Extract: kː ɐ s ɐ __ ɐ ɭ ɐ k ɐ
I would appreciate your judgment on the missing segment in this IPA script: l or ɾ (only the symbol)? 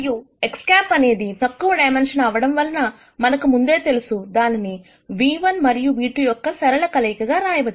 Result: ɾ